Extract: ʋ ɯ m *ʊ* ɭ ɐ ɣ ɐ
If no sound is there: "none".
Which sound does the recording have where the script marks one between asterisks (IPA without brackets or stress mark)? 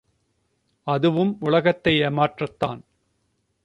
ʊ